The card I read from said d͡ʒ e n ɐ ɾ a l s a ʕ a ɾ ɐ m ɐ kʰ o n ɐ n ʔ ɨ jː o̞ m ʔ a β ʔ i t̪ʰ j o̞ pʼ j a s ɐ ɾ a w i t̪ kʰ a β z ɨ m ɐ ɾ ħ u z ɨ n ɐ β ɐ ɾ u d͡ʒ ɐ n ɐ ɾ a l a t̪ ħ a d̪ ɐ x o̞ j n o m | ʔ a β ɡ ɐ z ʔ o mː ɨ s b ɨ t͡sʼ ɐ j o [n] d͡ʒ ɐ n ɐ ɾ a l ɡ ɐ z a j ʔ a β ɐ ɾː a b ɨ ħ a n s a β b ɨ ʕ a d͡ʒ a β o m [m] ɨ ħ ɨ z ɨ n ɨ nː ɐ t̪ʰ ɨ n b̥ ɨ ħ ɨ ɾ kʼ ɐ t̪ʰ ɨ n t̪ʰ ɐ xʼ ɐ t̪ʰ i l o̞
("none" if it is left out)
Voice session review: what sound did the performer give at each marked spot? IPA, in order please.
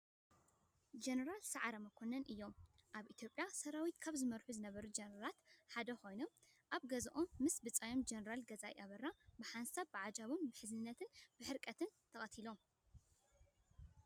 m, b

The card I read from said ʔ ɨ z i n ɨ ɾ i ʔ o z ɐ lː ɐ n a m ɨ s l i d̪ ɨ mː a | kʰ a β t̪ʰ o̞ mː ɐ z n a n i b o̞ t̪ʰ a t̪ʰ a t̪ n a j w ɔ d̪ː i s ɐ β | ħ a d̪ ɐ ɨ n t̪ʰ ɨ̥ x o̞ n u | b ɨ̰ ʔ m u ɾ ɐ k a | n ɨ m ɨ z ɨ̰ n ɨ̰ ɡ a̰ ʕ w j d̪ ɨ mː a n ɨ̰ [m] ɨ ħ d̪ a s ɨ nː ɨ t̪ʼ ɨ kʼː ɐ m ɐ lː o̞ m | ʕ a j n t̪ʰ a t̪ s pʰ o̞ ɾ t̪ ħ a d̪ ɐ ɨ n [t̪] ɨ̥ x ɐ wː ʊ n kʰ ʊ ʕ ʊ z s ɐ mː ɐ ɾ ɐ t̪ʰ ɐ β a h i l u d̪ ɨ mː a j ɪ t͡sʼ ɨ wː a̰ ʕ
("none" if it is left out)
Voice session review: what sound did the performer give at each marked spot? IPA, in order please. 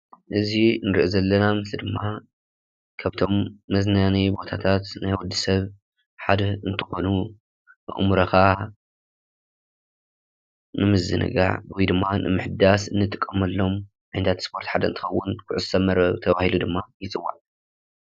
m, t̪

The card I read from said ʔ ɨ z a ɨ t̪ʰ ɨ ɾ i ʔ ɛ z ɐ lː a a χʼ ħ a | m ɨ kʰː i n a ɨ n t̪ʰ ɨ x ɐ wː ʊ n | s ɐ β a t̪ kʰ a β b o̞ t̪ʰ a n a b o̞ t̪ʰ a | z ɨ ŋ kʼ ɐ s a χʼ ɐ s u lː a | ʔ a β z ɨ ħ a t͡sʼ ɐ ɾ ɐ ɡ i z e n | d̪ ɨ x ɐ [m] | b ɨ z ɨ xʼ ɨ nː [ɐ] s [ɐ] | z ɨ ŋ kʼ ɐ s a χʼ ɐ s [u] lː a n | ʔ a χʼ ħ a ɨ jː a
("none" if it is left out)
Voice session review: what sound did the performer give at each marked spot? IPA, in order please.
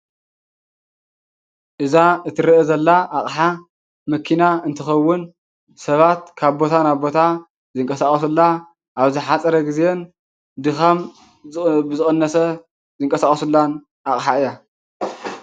m, ɐ, ɐ, u

